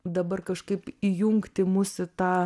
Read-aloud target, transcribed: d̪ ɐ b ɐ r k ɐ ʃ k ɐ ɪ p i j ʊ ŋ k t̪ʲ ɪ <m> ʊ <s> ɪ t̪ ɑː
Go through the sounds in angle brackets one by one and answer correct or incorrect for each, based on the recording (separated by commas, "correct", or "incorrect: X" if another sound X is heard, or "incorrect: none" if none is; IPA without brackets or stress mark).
correct, correct